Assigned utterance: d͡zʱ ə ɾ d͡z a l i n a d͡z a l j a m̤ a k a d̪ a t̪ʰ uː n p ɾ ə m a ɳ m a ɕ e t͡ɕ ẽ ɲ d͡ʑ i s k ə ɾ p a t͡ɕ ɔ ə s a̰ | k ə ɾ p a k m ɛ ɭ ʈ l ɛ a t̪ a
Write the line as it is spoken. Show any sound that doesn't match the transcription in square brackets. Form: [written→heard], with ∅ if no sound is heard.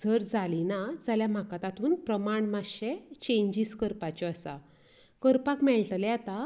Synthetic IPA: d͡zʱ ə ɾ d͡z a l i n a d͡z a l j a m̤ a k a [d̪→t̪] a [t̪ʰ→t̪] uː n p ɾ ə m a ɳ m a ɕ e t͡ɕ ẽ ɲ d͡ʑ i s k ə ɾ p a t͡ɕ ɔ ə s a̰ | k ə ɾ p a k m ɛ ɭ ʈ l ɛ a t̪ a